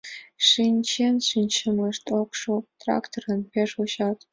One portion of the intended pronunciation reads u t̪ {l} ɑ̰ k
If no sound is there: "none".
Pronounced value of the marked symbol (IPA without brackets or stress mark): r